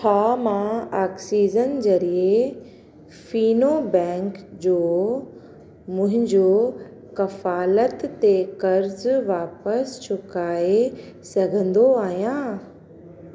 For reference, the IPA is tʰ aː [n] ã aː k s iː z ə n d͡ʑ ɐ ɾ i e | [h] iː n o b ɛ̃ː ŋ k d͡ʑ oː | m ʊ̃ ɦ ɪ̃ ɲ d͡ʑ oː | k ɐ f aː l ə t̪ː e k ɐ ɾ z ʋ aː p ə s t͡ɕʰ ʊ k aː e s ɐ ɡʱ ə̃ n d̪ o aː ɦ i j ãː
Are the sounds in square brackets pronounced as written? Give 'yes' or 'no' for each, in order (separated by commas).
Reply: no, no